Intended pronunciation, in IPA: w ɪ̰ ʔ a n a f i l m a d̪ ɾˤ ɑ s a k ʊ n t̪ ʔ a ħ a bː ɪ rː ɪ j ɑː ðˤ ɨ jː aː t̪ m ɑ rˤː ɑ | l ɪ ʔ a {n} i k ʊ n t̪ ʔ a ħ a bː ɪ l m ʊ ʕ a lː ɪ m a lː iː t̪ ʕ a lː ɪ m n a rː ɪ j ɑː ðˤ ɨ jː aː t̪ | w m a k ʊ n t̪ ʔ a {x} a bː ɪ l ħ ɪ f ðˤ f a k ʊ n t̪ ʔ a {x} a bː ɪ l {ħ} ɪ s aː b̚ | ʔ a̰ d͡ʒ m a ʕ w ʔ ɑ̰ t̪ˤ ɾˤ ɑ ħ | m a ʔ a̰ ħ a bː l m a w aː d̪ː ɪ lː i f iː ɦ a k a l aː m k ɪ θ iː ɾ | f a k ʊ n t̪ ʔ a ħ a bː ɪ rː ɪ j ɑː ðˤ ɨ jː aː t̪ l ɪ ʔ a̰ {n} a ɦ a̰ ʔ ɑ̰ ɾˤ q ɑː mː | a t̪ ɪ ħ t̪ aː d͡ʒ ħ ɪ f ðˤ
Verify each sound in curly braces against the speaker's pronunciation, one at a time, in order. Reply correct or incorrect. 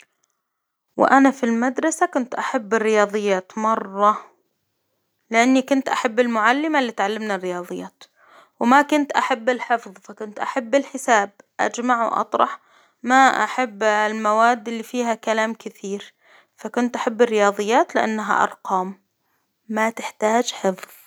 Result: incorrect: nː, incorrect: ħ, incorrect: ħ, correct, incorrect: nː

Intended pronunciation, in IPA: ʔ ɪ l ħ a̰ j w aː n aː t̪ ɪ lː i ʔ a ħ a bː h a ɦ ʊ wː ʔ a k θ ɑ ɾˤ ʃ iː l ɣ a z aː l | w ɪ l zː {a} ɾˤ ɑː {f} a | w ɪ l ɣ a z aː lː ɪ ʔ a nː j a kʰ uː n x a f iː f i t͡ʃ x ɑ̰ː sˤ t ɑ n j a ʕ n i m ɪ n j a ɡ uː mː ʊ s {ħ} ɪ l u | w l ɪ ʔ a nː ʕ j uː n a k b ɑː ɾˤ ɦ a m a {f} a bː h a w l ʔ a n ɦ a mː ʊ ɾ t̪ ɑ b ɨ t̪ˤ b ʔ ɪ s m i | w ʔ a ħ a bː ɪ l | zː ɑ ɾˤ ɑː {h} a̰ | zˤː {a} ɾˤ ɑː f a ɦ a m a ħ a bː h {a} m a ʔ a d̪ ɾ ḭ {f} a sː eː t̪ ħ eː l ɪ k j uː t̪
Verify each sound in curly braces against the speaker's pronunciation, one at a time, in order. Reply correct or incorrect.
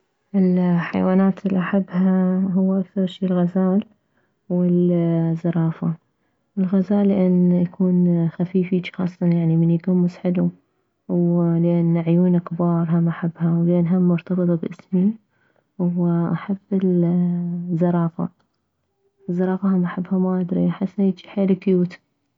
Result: incorrect: ɑ, correct, correct, incorrect: ħ, incorrect: f, incorrect: ɑ, correct, incorrect: ħ

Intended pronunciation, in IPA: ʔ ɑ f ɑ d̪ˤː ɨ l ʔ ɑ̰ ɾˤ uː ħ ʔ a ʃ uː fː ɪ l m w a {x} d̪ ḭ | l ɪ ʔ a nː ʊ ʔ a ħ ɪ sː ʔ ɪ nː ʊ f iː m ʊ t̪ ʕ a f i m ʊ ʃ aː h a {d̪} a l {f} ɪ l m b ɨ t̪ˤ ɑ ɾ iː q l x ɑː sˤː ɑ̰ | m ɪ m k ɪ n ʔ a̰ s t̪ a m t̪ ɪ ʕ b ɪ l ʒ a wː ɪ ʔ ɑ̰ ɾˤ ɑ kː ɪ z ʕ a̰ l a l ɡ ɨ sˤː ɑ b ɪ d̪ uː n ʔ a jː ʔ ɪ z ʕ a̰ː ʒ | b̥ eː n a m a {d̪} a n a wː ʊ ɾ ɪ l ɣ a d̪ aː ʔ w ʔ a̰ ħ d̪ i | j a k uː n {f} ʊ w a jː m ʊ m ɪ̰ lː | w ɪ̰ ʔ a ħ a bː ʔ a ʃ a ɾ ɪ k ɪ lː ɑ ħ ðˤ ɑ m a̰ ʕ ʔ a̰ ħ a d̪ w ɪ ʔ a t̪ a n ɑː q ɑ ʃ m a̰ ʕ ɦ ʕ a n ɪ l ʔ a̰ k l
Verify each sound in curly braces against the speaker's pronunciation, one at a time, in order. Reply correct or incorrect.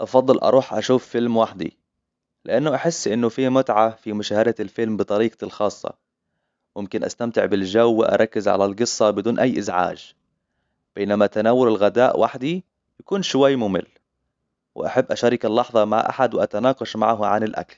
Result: incorrect: ħ, correct, correct, incorrect: t̪, incorrect: ʃ

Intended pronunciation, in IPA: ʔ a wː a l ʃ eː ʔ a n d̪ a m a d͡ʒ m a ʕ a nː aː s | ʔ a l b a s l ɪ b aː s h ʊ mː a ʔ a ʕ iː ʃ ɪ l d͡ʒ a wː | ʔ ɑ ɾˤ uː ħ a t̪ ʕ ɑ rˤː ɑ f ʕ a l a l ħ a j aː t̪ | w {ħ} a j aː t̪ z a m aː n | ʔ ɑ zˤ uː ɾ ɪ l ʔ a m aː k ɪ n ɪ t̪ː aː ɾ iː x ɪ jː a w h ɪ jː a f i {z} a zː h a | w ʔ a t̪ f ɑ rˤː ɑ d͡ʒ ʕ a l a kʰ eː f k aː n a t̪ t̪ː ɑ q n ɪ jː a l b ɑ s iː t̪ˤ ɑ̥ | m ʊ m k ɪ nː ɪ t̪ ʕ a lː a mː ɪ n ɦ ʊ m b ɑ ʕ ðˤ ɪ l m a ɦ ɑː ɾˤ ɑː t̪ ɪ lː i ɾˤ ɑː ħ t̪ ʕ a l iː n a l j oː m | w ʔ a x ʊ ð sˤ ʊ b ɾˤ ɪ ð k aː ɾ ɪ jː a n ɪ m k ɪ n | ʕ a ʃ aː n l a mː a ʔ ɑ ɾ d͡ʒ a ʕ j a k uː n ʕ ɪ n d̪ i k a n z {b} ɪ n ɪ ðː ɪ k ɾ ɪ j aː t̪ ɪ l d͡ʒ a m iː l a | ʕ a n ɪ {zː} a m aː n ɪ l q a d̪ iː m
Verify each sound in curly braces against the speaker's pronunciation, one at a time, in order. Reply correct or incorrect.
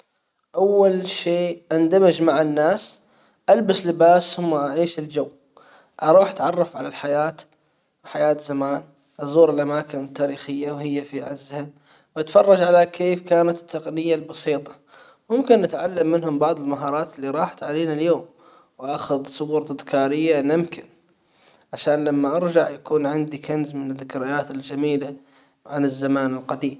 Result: correct, incorrect: ʕ, incorrect: m, correct

